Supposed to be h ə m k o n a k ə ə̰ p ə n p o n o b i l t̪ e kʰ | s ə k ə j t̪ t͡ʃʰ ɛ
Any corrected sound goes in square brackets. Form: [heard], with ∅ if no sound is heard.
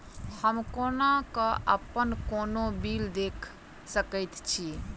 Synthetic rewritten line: h ə m k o n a k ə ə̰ p ə n [k] o n o b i l [d̪] e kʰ | s ə k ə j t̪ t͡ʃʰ [i]